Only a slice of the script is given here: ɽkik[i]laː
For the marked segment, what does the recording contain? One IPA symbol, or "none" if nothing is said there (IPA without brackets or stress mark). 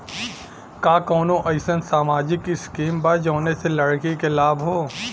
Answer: e